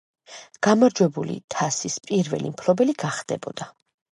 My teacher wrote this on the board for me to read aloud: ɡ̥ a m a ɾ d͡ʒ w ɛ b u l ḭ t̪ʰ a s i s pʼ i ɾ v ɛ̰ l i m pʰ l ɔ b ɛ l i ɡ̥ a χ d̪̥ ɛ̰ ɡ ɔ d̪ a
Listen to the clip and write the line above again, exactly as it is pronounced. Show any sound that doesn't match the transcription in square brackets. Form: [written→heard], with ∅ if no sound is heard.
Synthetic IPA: ɡ̥ a m a ɾ d͡ʒ w ɛ b u l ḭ t̪ʰ a s i s pʼ i ɾ v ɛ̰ l i m pʰ l ɔ b ɛ l i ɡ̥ a χ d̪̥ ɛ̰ [ɡ→b] ɔ d̪ a